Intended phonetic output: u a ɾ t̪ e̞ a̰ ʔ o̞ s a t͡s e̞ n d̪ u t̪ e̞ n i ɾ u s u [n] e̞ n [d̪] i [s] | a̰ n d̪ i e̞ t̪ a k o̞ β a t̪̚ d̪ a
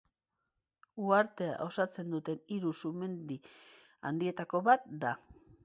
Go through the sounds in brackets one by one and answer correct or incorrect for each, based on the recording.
incorrect: m, correct, incorrect: none

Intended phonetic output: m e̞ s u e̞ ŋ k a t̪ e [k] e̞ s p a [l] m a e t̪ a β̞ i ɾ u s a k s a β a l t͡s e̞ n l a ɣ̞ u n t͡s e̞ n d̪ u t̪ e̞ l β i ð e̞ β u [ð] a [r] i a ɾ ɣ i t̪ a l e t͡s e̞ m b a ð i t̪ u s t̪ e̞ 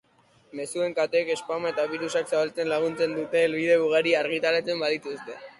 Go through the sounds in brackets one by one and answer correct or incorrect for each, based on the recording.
correct, incorrect: none, incorrect: ɣ, incorrect: ɾ

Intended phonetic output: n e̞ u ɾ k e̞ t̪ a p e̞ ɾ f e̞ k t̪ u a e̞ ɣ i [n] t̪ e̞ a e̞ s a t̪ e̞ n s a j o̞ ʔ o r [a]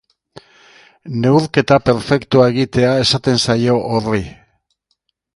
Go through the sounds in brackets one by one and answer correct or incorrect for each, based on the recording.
incorrect: none, incorrect: i

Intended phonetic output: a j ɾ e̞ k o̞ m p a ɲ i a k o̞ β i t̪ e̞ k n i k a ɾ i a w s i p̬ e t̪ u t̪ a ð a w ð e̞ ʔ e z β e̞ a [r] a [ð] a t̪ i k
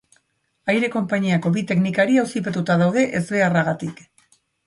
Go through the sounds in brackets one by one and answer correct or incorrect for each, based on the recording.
correct, incorrect: ɣ

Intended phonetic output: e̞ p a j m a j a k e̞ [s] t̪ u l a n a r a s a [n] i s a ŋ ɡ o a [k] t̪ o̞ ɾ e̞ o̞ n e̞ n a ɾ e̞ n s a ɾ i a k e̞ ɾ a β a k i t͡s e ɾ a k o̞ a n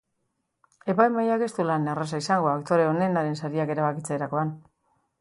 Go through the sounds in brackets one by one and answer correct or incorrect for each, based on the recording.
correct, incorrect: none, correct

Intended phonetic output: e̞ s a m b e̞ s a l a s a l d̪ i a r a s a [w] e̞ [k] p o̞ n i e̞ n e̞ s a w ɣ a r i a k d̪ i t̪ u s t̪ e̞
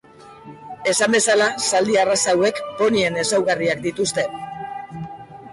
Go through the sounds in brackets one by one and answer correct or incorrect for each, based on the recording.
correct, correct

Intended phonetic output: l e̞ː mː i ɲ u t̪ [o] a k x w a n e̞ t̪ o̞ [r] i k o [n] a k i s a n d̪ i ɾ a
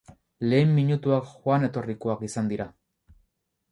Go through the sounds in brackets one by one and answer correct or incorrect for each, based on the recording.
incorrect: u, correct, incorrect: none

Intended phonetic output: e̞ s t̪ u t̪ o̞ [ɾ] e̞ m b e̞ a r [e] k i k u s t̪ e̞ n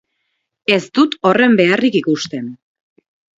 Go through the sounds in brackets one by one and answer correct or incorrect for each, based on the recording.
incorrect: r, incorrect: i

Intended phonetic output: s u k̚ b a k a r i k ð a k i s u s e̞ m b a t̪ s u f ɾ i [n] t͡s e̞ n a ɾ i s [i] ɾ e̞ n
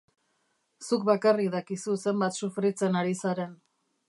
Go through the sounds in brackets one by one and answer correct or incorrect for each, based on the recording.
incorrect: none, incorrect: a

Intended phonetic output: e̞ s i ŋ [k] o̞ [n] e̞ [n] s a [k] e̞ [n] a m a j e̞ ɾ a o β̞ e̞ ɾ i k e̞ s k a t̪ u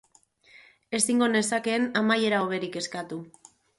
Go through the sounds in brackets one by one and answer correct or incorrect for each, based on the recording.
incorrect: ɡ, correct, incorrect: none, correct, correct

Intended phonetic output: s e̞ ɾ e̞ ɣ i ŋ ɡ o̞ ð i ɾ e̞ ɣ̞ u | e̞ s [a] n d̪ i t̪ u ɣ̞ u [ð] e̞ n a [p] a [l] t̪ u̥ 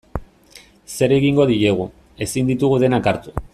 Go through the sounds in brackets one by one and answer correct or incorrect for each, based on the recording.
incorrect: i, correct, incorrect: k, incorrect: ɾ

